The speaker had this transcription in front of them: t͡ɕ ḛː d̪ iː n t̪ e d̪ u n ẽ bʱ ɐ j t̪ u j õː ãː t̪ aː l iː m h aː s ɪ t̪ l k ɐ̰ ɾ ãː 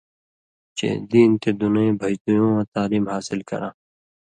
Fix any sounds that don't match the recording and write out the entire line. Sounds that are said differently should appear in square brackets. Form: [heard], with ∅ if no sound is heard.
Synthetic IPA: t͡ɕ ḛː d̪ iː n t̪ e d̪ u n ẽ bʱ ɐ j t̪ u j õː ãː t̪ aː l iː m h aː s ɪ [∅] l k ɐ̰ ɾ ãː